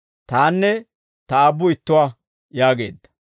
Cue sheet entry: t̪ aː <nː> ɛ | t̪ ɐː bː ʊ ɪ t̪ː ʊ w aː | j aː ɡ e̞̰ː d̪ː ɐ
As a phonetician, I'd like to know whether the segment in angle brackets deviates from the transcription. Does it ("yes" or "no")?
no